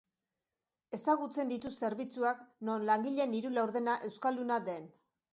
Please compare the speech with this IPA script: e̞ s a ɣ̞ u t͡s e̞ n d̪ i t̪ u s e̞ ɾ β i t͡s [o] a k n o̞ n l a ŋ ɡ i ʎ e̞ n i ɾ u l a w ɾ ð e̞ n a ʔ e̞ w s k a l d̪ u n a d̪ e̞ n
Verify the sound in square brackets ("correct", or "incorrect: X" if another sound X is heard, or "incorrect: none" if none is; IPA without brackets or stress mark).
incorrect: u